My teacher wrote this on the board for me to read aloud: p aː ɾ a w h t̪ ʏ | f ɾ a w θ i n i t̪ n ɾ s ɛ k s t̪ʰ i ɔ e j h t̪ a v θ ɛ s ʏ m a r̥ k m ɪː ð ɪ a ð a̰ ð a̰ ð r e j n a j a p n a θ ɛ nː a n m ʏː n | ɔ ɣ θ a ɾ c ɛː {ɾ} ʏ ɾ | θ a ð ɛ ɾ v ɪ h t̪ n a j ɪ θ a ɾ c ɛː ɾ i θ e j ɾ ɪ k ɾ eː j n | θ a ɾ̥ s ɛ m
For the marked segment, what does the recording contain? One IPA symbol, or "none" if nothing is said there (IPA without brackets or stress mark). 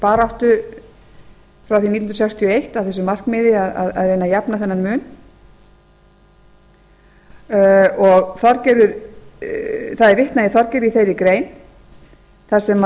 ɾ